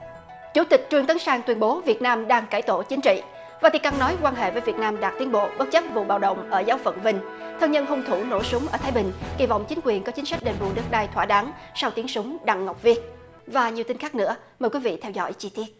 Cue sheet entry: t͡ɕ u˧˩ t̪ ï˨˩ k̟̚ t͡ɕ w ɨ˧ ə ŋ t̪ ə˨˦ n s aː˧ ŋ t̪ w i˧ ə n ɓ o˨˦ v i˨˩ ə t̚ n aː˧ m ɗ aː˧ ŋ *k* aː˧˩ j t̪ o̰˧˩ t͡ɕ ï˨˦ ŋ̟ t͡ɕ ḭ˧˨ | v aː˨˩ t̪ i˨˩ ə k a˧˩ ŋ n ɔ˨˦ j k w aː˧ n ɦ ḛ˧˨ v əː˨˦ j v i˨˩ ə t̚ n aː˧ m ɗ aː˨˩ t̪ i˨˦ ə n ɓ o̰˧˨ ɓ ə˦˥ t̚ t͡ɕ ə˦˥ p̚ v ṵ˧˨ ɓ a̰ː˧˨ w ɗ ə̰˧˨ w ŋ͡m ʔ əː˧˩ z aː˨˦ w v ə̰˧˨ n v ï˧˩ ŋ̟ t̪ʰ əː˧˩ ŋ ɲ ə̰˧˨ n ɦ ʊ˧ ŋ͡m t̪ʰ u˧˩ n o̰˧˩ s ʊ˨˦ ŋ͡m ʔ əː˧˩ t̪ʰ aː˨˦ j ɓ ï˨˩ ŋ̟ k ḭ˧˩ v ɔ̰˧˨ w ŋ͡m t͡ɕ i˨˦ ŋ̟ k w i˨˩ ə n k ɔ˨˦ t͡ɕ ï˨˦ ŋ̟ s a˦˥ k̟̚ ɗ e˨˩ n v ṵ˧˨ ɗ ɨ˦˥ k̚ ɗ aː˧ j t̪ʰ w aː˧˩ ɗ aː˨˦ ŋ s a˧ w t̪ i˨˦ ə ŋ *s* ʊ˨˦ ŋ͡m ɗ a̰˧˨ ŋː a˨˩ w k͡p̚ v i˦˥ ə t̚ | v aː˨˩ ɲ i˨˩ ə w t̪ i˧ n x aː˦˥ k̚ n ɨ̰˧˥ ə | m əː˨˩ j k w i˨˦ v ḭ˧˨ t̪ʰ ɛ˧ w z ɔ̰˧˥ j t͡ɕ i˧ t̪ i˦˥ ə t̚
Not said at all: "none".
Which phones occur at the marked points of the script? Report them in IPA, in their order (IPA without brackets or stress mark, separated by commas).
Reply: k, s